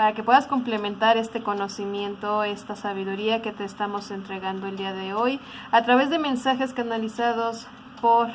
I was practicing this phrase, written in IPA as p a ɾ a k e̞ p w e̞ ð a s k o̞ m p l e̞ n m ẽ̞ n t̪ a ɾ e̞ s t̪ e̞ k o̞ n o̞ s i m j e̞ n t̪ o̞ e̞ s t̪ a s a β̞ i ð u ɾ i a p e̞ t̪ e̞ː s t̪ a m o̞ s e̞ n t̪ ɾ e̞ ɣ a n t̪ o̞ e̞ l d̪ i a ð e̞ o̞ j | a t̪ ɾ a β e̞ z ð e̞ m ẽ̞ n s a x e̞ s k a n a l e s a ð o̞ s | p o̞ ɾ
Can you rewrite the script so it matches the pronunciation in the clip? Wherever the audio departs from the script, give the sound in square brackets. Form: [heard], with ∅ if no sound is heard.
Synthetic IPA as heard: p a ɾ a k e̞ p w e̞ ð a s k o̞ m p l e̞ [∅] m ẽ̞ n t̪ a ɾ e̞ s t̪ e̞ k o̞ n o̞ s i m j e̞ n t̪ o̞ e̞ s t̪ a s a β̞ i ð u ɾ i a [k] e̞ t̪ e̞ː s t̪ a m o̞ s e̞ n t̪ ɾ e̞ ɣ a n [d̪] o̞ e̞ l d̪ i a ð e̞ o̞ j | a t̪ ɾ a β e̞ z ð e̞ m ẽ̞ n s a x e̞ s k a n a l [i] s a ð o̞ s | p o̞ ɾ

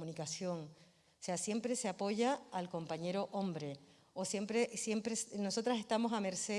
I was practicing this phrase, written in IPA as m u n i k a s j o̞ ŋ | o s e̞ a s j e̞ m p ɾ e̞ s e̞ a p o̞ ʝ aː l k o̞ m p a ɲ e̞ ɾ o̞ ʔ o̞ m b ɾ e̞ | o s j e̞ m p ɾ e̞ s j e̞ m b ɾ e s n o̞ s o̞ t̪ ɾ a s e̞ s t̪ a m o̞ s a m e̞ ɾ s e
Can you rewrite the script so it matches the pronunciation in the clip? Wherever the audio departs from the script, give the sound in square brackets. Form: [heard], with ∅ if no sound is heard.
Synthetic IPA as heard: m u n i k a s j o̞ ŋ | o s e̞ a s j e̞ m p ɾ e̞ s e̞ a p o̞ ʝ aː l k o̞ m p a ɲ e̞ ɾ o̞ ʔ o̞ m b ɾ e̞ | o s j e̞ m p ɾ e̞ s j e̞ m [p] ɾ e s n o̞ s o̞ t̪ ɾ a s e̞ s t̪ a m o̞ s a m e̞ ɾ s e

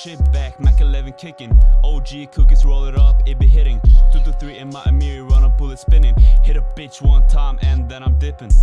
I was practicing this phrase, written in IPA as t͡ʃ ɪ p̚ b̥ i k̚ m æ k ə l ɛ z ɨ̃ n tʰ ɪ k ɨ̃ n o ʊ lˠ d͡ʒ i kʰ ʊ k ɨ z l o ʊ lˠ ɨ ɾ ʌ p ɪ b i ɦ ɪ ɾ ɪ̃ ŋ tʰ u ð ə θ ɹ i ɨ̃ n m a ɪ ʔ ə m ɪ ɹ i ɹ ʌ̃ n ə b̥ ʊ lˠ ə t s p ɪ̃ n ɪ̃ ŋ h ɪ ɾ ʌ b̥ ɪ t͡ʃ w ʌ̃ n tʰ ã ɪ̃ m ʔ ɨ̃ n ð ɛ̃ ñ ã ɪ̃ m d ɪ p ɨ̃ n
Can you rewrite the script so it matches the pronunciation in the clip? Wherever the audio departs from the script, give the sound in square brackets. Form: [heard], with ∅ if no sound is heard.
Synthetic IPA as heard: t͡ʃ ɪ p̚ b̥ [æ] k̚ m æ k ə l ɛ [v] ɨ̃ n [kʰ] ɪ k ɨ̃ n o ʊ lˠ d͡ʒ i kʰ ʊ k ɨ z [ɹ] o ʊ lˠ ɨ ɾ ʌ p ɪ b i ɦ ɪ ɾ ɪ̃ ŋ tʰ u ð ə θ ɹ i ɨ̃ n m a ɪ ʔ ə m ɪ ɹ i ɹ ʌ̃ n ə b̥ ʊ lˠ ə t s p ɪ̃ n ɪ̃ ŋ h ɪ ɾ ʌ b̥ ɪ t͡ʃ w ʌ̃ n tʰ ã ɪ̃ m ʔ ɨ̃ n ð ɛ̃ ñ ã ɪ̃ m d ɪ p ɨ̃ n

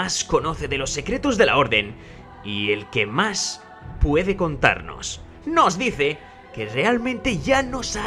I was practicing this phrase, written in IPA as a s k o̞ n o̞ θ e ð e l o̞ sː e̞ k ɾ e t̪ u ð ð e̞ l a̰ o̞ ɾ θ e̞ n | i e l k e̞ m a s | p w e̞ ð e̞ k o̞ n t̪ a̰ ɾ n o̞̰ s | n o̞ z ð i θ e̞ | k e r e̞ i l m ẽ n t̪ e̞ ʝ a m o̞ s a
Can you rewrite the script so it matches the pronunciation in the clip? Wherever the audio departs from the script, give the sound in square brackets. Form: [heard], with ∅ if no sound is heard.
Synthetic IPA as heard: a s k o̞ n o̞ θ e ð e l o̞ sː e̞ k ɾ e t̪ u [z] ð e̞ l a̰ o̞ ɾ [ð] e̞ n | i e l k e̞ m a s | p w e̞ ð e̞ k o̞ n t̪ a̰ ɾ n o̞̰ s | n o̞ z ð i θ e̞ | k e r e̞ [a] l m ẽ n t̪ e̞ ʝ a [n] o̞ s a

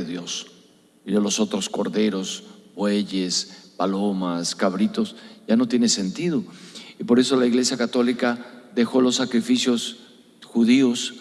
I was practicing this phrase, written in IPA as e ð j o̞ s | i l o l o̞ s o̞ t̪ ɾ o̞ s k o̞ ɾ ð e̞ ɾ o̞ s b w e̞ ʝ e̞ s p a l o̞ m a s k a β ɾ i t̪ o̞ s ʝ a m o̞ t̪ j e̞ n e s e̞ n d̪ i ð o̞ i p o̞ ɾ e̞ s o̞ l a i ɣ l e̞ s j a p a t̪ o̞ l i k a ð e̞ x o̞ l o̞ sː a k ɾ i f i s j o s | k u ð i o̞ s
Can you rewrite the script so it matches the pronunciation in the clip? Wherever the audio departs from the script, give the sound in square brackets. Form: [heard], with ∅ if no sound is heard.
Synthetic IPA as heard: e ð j o̞ s | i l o l o̞ s o̞ t̪ ɾ o̞ s k o̞ ɾ ð e̞ ɾ o̞ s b w e̞ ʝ e̞ s p a l o̞ m a s k a β ɾ i t̪ o̞ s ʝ a [n] o̞ t̪ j e̞ n e s e̞ n [t̪] i ð o̞ i p o̞ ɾ e̞ s o̞ l a i ɣ l e̞ s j a [k] a t̪ o̞ l i k a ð e̞ x o̞ l o̞ sː a k ɾ i f i s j o s | [x] u ð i o̞ s

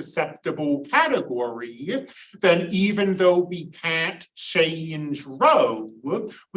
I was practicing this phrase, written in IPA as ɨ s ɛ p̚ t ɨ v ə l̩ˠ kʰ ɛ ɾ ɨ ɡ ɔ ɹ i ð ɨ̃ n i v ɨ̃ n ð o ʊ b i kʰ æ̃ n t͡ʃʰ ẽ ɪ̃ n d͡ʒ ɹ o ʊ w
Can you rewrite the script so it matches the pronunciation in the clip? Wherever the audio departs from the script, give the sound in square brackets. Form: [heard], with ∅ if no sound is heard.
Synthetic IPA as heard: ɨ s ɛ p̚ t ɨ [b] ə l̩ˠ kʰ [æ] ɾ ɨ ɡ ɔ ɹ i ð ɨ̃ n i v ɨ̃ n ð o ʊ [w] i kʰ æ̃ n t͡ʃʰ ẽ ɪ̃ n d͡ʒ ɹ o ʊ w

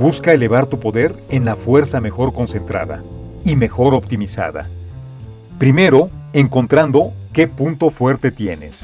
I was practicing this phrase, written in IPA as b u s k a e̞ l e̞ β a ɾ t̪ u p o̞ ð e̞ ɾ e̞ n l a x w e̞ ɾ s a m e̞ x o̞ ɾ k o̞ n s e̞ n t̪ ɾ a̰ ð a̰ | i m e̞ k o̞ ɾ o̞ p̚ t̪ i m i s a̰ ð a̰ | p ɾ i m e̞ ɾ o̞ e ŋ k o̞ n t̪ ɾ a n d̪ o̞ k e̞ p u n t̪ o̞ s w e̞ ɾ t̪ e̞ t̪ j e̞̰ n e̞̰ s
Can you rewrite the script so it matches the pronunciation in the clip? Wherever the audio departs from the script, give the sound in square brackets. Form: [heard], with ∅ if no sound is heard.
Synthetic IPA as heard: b u s k a e̞ l e̞ β a ɾ t̪ u p o̞ ð e̞ ɾ e̞ n l a [f] w e̞ ɾ s a m e̞ x o̞ ɾ k o̞ n s e̞ n t̪ ɾ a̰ ð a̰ | i m e̞ [x] o̞ ɾ o̞ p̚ t̪ i m i s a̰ ð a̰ | p ɾ i m e̞ ɾ o̞ e ŋ k o̞ n t̪ ɾ a n d̪ o̞ k e̞ p u n t̪ o̞ [f] w e̞ ɾ t̪ e̞ t̪ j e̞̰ n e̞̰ s

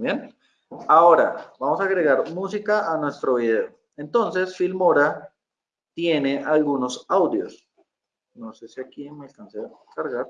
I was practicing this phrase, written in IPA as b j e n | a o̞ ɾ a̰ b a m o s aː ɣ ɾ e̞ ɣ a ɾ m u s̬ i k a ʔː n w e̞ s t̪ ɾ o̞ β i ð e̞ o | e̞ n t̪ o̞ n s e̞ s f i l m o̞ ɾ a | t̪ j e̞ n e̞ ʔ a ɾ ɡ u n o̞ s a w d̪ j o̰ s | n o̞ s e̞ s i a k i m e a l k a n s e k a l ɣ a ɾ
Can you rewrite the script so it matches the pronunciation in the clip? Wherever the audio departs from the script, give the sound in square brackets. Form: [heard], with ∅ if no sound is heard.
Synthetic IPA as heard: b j e n | a o̞ ɾ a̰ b a m o s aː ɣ ɾ e̞ ɣ a ɾ m u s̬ i k a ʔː n w e̞ s t̪ ɾ o̞ β i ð e̞ o | e̞ n t̪ o̞ n s e̞ s f i l m o̞ ɾ a | t̪ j e̞ n e̞ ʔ a [l] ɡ u n o̞ s a w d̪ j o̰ s | n o̞ s e̞ s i a k i m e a l k a n s e k a [ɾ] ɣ a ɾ

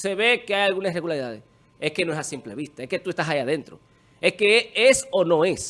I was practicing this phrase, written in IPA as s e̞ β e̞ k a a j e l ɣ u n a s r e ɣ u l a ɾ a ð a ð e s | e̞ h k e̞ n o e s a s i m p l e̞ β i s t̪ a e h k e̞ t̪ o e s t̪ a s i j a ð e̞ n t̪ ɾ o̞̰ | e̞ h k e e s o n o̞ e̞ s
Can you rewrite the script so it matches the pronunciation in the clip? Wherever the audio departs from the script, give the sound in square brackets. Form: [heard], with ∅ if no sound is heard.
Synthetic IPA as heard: s e̞ β e̞ k [e] a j [a] l ɣ u n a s r e ɣ u l a ɾ [i] ð a ð e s | e̞ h k e̞ n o e s a s i m p l e̞ β i s t̪ a e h k e̞ t̪ [u] e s t̪ a s [a] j a ð e̞ n t̪ ɾ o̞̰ | e̞ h k e e s o n o̞ e̞ s

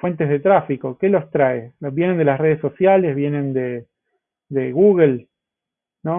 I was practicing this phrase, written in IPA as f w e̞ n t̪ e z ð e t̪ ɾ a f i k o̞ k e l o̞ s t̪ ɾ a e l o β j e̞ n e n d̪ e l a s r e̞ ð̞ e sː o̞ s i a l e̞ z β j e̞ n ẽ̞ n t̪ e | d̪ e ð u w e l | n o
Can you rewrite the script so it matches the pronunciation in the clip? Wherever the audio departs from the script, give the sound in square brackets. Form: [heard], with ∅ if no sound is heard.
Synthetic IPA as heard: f w e̞ n t̪ e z ð e t̪ ɾ a f i k o̞ k e l o̞ s t̪ ɾ a e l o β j e̞ n e n d̪ e l a s r e̞ ð̞ e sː o̞ s [j] a l e̞ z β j e̞ n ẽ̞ n [d̪] e | d̪ e [ɣ] u [ɣ] e l | n o

